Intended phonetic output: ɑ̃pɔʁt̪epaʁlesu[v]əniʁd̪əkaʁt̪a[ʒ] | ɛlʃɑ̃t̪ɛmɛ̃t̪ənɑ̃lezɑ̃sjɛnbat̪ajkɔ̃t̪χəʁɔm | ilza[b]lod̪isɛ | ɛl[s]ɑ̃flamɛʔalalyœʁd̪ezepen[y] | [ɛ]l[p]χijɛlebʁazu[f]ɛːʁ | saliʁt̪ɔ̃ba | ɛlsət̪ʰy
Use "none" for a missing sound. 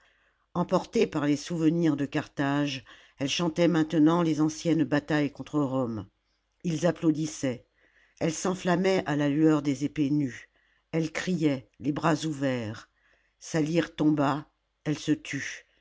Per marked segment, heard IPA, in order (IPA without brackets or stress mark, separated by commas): v, ʒ, p, s, y, ɛ, k, v